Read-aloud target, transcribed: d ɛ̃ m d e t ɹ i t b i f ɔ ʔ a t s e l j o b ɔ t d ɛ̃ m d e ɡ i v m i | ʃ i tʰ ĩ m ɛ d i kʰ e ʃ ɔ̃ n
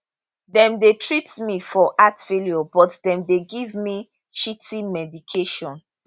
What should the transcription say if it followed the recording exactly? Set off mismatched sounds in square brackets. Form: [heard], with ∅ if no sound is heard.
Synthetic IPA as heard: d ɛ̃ m d e t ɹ i t [m] i f ɔ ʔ a t [f] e l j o b ɔ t d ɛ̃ m d e ɡ i v m i | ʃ i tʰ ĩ m ɛ d i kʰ e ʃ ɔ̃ n